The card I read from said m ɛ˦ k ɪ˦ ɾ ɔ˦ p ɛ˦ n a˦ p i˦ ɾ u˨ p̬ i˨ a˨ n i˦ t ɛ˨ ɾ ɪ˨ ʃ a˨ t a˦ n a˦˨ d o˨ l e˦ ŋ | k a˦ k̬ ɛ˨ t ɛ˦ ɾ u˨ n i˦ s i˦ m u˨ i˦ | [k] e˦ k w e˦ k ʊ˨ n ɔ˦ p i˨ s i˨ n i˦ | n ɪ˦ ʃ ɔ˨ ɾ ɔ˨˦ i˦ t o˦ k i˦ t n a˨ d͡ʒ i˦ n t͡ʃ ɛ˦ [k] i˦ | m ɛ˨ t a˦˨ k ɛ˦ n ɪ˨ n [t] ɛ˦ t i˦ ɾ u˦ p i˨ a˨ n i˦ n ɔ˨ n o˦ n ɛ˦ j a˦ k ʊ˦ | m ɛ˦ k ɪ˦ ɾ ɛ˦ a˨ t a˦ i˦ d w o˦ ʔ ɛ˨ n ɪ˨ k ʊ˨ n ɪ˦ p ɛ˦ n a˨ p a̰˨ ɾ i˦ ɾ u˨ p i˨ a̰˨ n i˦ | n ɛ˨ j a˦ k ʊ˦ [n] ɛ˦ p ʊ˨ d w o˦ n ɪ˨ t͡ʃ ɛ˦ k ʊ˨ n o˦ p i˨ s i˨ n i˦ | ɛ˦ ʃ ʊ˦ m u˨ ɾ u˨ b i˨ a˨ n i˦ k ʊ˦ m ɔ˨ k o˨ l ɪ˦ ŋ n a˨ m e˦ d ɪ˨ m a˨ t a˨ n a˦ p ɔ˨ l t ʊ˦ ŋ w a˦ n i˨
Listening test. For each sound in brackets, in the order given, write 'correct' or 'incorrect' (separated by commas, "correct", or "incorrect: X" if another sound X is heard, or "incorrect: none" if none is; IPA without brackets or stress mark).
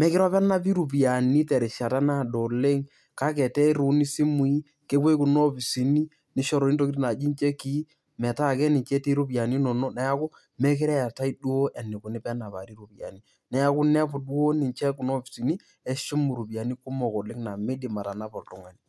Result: correct, correct, incorrect: t͡ʃ, correct